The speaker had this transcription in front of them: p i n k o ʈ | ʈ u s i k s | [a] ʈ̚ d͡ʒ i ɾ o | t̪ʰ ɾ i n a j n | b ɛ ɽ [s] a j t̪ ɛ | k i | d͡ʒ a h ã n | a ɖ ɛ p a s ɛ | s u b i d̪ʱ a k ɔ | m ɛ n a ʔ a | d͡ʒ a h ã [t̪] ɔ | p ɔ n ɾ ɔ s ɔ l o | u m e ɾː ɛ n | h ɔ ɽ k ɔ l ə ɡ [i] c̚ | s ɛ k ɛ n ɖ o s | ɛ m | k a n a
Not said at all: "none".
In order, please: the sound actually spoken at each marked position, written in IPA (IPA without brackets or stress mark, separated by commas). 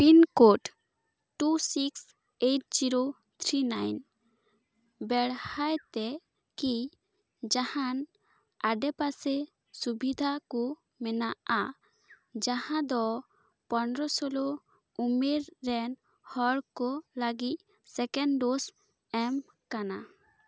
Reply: e, h, d̪, i